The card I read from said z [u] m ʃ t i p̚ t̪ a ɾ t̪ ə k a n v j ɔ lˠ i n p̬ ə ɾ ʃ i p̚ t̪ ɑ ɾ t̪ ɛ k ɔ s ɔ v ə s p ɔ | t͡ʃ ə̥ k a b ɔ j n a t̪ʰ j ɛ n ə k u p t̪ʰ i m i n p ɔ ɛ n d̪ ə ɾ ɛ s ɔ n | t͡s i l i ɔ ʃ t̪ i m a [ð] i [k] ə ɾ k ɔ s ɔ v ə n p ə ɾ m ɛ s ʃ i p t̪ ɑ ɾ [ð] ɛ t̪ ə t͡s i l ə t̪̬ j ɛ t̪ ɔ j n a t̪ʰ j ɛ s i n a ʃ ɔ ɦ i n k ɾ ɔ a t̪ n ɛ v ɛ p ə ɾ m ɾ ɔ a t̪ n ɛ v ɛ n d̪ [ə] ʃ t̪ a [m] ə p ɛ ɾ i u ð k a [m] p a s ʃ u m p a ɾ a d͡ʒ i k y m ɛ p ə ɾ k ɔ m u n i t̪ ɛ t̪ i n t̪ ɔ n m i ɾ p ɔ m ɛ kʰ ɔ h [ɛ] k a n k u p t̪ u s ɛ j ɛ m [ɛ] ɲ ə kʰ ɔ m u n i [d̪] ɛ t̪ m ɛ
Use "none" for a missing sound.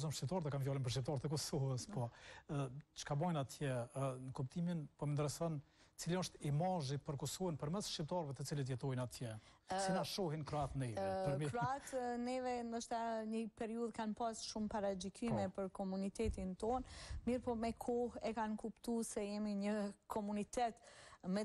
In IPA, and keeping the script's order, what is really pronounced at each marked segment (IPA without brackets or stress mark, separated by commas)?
ɔ, ʒ, p, v, ə, ɲ, n, ɛ, i, t̪